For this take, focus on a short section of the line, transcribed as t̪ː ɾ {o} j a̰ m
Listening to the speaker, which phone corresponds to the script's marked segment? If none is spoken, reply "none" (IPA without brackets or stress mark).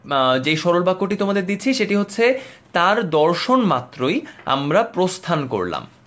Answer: o